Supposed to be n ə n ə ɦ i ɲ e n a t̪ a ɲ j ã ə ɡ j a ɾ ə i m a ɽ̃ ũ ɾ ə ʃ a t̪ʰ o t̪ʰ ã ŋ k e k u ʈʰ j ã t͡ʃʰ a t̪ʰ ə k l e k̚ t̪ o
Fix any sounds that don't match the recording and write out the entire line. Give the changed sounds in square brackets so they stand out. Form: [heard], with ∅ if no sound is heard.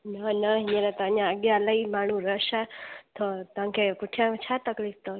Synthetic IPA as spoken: n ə n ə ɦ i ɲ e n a t̪ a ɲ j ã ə ɡ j a [l] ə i m a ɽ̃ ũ ɾ ə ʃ a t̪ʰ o [t̪] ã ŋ k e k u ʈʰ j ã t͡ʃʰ a [t̪] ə k l [i] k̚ t̪ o